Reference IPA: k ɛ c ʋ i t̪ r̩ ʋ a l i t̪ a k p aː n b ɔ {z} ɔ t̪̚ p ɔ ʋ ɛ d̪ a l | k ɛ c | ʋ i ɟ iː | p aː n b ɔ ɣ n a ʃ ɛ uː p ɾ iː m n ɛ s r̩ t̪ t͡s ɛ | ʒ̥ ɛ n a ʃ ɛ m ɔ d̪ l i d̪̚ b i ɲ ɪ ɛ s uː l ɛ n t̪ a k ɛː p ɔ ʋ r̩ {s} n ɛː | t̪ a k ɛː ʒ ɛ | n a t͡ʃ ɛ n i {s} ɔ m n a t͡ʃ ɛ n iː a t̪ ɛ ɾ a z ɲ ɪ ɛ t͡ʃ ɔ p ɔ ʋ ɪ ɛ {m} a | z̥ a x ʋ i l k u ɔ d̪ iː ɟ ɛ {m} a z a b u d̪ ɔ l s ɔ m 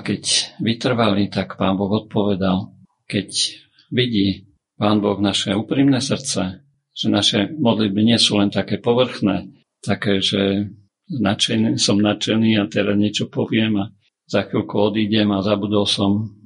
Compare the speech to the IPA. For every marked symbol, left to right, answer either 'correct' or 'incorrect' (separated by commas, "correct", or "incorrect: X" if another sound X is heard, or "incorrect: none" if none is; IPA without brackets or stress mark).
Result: incorrect: ɣ, incorrect: x, correct, correct, correct